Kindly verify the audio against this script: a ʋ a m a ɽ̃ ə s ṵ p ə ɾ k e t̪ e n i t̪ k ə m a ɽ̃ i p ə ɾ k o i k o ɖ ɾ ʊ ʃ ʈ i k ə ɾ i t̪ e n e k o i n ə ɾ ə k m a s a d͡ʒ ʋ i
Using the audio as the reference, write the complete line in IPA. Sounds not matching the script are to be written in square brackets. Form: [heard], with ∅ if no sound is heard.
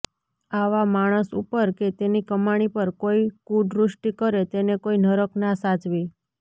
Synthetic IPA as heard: a ʋ a m a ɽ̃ ə s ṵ p ə ɾ k e t̪ e n i [∅] k ə m a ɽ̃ i p ə ɾ k o i k [u] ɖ ɾ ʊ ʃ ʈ i k ə ɾ [e] t̪ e n e k o i n ə ɾ ə k [n] a s a d͡ʒ ʋ i